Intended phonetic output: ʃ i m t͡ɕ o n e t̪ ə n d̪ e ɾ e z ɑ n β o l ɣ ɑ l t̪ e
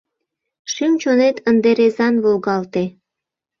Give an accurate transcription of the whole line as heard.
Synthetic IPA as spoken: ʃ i m t͡ɕ o n e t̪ ə n d̪ e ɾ e z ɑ n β o l ɣ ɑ l t̪ e